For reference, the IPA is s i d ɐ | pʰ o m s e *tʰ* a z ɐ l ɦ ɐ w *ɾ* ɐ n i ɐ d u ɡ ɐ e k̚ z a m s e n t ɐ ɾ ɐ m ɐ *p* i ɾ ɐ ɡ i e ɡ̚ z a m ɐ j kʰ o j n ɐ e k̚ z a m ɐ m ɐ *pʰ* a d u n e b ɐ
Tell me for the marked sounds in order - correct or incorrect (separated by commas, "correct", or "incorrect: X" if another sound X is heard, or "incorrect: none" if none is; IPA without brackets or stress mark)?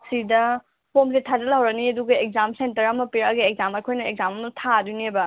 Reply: correct, correct, correct, incorrect: tʰ